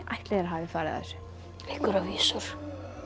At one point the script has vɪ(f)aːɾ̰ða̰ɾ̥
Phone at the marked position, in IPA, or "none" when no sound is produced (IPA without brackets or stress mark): f